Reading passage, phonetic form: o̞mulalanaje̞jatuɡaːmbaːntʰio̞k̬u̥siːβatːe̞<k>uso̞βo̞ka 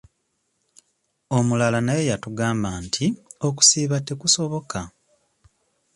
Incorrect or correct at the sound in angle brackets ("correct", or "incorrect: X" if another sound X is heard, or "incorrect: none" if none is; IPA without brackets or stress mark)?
correct